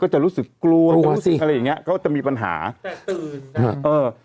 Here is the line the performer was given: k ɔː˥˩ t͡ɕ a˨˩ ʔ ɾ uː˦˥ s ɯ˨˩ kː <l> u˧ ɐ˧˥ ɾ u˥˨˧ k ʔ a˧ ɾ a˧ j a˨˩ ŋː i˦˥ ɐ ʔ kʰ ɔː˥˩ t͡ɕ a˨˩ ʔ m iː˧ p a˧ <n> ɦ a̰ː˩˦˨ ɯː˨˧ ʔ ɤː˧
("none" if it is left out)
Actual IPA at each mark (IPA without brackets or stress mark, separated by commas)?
l, n